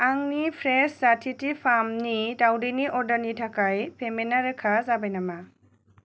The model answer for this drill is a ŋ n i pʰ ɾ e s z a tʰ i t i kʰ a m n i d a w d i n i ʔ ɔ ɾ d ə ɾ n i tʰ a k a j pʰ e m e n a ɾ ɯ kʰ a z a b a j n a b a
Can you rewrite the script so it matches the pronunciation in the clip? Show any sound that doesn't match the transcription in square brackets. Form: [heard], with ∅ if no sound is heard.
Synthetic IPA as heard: a ŋ n i pʰ ɾ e s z a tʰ i t i [pʰ] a m n i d a w d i n i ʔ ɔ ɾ d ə ɾ n i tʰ a k a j pʰ e m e n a ɾ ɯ kʰ a z a b a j n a [m] a